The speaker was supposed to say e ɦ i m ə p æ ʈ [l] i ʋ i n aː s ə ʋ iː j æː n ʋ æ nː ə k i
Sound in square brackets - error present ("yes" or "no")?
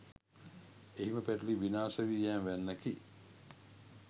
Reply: no